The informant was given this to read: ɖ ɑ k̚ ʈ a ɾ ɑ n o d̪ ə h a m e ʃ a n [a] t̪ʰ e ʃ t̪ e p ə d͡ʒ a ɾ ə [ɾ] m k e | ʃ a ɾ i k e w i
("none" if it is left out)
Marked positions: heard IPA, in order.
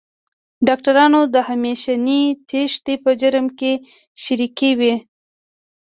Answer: i, none

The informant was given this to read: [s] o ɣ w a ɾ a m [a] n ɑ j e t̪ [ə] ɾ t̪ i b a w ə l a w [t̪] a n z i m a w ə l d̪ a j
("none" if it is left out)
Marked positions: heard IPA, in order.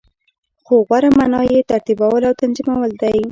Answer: x, a, a, t̪

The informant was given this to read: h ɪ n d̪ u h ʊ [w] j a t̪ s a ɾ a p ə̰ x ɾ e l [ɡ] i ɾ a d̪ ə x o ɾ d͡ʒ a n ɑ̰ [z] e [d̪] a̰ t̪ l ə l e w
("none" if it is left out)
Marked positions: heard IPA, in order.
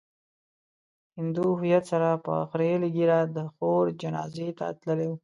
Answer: none, ɡ, z, t̪

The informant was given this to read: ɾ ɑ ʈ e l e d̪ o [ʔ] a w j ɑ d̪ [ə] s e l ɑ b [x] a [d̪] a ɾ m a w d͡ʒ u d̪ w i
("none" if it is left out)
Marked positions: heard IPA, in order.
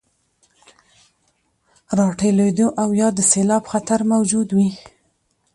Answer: ʔ, ə, x, t̪

